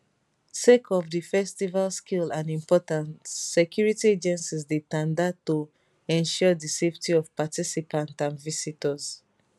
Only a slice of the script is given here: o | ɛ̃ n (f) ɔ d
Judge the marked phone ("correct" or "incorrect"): incorrect